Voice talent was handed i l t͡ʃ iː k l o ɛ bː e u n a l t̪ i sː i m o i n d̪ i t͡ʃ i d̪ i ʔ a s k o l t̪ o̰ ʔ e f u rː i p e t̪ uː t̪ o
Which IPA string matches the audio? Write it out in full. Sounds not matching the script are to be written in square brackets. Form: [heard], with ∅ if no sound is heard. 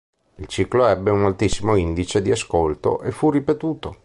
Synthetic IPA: i l t͡ʃ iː k l o ɛ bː e u n a l t̪ i sː i m o i n d̪ i t͡ʃ [e] d̪ i [∅] a s k o l t̪ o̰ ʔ e f u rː i p e t̪ uː t̪ o